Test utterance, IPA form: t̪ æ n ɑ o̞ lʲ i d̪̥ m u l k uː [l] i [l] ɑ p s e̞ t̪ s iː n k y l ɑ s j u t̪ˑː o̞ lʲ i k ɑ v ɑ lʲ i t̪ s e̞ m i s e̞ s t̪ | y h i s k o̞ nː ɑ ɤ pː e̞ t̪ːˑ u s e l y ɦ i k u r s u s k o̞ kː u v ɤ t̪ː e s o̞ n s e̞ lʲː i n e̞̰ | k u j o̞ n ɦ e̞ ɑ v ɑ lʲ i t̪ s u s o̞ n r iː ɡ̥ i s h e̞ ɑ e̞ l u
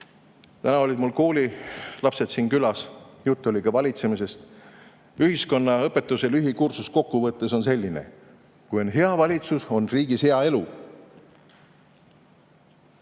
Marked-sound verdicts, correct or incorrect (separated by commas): correct, correct